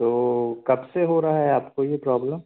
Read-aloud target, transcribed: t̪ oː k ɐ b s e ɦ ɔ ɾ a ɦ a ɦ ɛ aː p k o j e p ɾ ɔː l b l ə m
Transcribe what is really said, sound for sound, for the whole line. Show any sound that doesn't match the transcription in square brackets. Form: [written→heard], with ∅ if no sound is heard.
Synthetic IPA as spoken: t̪ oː k ɐ b s e ɦ [ɔ→o] ɾ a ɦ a ɦ ɛ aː p k o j e p ɾ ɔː [l→∅] b l ə m